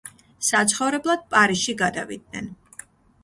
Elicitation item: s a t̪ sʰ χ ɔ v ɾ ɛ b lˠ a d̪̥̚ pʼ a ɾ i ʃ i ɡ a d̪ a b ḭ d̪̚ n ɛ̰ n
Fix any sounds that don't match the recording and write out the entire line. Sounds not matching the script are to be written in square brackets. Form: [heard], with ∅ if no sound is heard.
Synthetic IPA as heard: s a t̪ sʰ χ ɔ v ɾ ɛ b lˠ a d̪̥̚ pʼ a ɾ i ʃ i ɡ a d̪ a [v] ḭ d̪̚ n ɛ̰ n